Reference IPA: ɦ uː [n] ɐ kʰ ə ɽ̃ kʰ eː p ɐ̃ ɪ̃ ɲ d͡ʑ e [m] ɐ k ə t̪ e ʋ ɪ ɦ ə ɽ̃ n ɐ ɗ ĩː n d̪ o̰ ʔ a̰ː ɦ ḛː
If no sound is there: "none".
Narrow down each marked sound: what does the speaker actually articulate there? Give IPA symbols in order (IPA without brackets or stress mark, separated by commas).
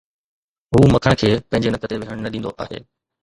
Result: m, n